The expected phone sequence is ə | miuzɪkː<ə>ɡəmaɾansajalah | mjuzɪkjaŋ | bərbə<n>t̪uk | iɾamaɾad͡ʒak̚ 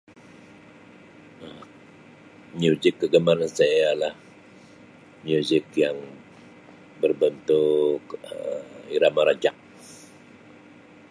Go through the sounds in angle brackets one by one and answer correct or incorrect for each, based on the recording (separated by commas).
correct, correct